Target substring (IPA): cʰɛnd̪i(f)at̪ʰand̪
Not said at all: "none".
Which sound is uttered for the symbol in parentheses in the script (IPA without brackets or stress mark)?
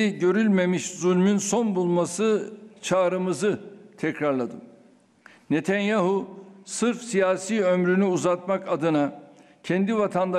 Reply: v